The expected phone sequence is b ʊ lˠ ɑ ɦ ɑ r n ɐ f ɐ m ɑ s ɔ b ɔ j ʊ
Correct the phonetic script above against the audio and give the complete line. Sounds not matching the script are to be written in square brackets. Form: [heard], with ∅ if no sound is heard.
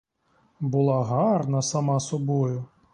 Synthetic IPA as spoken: b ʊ lˠ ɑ ɦ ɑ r n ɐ [s] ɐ m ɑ s ɔ b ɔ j ʊ